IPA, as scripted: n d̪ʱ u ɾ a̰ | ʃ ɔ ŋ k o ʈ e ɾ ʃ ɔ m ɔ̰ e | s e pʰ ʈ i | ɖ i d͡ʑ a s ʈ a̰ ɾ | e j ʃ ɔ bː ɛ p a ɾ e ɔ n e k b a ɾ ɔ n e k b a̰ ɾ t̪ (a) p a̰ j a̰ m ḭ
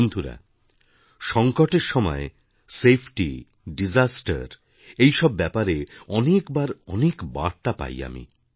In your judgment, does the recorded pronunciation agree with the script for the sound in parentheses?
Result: yes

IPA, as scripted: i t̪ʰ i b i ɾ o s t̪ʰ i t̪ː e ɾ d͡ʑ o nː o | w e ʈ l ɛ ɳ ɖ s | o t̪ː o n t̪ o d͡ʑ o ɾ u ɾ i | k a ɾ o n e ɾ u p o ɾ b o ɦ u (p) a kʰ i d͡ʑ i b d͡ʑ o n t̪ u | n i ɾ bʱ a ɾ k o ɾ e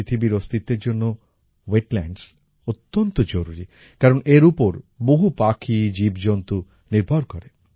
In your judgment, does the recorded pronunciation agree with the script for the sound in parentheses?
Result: yes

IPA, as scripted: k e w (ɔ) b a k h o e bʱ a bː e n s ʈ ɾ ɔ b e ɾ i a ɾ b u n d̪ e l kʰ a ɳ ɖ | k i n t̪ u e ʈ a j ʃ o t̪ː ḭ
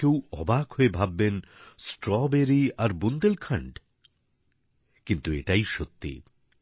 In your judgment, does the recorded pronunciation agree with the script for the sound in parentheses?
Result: yes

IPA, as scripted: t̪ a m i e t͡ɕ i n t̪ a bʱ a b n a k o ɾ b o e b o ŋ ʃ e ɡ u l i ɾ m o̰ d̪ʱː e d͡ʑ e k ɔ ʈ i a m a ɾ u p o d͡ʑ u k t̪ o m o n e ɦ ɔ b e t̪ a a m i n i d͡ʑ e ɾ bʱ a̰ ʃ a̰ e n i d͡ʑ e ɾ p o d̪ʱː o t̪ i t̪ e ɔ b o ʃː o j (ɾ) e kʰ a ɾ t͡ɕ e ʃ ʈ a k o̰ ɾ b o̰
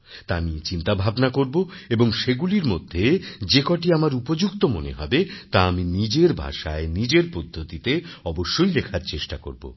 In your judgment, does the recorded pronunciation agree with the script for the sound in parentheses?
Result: no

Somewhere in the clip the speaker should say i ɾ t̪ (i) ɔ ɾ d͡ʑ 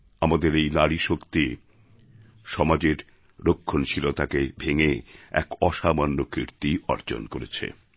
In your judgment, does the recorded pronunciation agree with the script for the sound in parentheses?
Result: yes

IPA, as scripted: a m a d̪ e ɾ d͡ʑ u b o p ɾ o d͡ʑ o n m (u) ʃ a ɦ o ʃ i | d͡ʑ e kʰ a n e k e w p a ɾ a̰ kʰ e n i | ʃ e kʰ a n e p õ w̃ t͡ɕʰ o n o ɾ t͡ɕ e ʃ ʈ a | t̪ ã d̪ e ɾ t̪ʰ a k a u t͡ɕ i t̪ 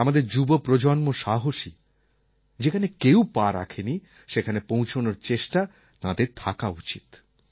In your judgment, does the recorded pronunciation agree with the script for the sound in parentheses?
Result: no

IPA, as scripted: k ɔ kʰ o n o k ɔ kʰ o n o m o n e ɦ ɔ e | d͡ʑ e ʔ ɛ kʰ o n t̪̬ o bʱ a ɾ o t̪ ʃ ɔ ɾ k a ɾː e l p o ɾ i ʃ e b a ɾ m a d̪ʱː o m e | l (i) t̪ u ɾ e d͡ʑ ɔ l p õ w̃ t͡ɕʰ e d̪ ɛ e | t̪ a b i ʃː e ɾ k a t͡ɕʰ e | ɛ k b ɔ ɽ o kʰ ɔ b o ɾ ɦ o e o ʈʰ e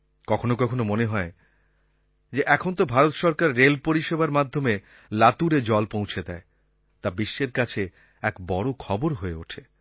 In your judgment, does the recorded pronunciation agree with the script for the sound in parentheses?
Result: no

